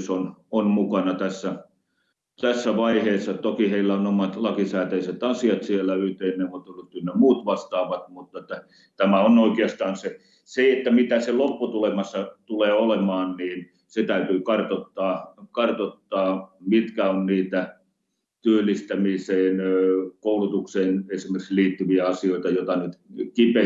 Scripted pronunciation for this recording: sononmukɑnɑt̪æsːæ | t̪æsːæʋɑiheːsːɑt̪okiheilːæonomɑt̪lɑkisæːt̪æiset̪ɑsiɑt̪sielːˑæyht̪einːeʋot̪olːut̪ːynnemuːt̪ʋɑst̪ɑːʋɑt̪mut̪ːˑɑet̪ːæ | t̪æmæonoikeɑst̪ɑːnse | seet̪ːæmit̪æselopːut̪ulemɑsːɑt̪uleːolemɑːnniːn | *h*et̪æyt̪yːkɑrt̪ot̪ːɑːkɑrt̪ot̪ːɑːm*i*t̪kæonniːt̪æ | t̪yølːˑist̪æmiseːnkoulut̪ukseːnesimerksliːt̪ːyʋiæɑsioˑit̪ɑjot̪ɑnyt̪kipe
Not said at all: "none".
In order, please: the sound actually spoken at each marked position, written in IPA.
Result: s, i

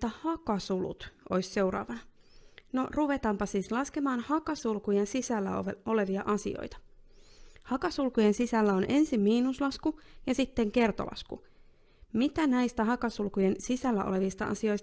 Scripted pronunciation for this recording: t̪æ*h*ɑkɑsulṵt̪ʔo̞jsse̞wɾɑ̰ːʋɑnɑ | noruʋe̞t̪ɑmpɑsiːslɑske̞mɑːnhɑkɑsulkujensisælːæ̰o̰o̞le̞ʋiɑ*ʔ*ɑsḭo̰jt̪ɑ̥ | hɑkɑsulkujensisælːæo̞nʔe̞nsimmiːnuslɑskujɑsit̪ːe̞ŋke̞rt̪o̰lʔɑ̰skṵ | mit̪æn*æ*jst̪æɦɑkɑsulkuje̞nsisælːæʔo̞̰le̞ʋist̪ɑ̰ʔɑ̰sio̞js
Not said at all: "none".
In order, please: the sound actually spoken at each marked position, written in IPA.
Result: h, ʔ, æ

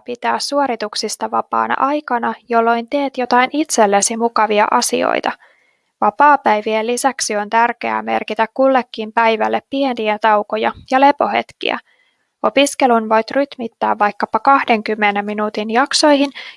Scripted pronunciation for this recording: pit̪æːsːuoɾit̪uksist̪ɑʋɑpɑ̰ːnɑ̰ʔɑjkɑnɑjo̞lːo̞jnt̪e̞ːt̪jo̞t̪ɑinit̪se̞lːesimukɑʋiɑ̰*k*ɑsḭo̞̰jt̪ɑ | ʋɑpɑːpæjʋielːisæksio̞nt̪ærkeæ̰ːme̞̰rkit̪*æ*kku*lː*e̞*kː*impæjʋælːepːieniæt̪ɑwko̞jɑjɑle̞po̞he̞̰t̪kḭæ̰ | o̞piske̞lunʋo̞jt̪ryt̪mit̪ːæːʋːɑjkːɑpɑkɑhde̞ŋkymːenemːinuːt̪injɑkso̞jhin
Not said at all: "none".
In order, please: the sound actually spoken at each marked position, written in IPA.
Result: ʔ, æ, lː, kː

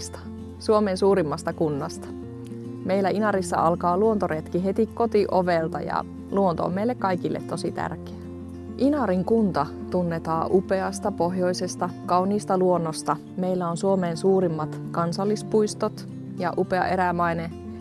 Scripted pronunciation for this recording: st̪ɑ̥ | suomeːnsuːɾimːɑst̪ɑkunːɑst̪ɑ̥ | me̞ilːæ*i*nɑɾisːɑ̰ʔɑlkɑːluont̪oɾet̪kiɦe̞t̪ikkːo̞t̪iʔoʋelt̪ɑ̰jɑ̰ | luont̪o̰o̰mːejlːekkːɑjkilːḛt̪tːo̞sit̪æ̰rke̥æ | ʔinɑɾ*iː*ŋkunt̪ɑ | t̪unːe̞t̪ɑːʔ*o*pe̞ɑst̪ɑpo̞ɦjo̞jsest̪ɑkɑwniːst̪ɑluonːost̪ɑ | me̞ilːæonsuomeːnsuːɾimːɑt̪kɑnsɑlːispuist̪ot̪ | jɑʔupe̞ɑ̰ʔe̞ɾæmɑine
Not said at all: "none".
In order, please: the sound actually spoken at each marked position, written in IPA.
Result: i, i, u

